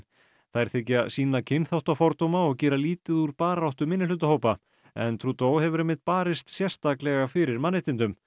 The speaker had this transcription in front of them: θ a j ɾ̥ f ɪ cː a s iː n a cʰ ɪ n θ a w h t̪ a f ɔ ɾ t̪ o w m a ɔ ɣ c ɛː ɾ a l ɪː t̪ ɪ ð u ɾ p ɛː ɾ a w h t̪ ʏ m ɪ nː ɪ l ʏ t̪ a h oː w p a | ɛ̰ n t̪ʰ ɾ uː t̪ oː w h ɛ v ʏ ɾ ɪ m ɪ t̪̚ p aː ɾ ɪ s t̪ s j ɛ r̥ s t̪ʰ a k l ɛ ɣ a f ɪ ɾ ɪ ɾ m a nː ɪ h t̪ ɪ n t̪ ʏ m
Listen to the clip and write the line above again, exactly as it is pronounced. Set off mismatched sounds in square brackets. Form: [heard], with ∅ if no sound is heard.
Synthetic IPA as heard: θ a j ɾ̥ [θ] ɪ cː a s iː n a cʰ ɪ n θ a w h t̪ a f ɔ ɾ t̪ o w m a ɔ ɣ c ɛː ɾ a l [iː] t̪ ɪ ð u ɾ p [aː] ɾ a w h t̪ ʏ m ɪ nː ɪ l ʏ t̪ a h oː w p a | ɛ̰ n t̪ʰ ɾ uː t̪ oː w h ɛ v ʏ ɾ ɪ m ɪ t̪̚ p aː ɾ ɪ s t̪ s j ɛ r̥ s [t̪] a k l ɛ ɣ a f ɪ ɾ ɪ ɾ m a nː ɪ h t̪ ɪ n t̪ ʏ m